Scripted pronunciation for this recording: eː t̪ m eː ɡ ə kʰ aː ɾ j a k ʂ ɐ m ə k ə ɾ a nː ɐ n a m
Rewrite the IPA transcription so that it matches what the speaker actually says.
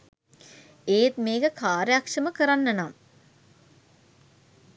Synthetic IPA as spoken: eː t̪ m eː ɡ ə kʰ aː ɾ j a k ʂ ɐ m ə k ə ɾ a nː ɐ n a m

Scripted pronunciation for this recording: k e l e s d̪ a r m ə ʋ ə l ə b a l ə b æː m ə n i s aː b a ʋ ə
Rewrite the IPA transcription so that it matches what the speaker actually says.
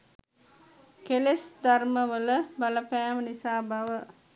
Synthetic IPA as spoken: k e l e s d̪ a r m ə ʋ ə l ə b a l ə p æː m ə n i s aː b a ʋ ə

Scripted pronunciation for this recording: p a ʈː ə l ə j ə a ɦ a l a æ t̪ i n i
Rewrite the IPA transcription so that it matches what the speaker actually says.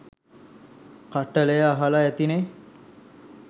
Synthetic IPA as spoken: k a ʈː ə l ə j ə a ɦ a l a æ t̪ i n e

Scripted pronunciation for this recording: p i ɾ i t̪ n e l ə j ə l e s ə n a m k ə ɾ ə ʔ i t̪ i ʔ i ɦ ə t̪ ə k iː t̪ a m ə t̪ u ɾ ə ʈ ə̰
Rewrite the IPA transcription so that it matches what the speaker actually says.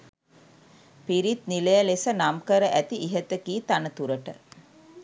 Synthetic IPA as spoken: p i ɾ i t̪ n i l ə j ə l e s ə n a m k ə ɾ ə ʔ æ t̪ i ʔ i ɦ ə t̪ ə k iː t̪ a n ə t̪ u ɾ ə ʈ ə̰

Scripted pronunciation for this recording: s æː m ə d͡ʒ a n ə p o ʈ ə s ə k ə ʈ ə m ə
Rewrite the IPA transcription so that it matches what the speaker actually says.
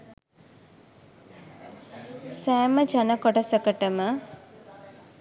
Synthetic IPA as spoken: s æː m ə d͡ʒ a n ə k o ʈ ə s ə k ə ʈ ə m ə

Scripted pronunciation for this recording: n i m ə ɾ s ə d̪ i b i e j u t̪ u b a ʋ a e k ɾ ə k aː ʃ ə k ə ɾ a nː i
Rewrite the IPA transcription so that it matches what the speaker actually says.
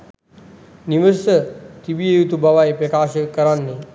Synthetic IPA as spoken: n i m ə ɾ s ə t̪ i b i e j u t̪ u b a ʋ a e p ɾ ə k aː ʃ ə k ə ɾ a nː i

